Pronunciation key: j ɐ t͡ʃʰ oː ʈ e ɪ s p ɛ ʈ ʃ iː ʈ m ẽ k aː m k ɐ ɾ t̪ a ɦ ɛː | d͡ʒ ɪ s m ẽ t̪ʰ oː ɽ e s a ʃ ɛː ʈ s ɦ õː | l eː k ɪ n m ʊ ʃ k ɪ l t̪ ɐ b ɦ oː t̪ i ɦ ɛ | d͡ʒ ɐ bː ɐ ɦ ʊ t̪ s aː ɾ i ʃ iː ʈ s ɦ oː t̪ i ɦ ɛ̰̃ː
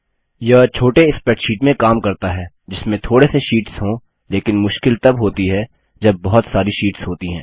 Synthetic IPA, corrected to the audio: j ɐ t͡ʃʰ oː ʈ e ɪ s p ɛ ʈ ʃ iː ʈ m ẽ k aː m k ɐ ɾ t̪ a ɦ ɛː | d͡ʒ ɪ s m ẽ t̪ʰ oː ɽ e s e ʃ iː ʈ s ɦ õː | l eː k ɪ n m ʊ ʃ k ɪ l t̪ ɐ b ɦ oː t̪ i ɦ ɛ | d͡ʒ ɐ bː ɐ ɦ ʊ t̪ s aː ɾ i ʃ iː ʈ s ɦ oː t̪ i ɦ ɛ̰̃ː